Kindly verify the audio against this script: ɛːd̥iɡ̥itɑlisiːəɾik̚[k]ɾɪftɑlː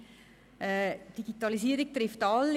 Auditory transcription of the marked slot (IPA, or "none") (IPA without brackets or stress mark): t